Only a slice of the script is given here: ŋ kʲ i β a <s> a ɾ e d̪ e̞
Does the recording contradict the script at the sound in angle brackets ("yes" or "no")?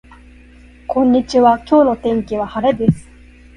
yes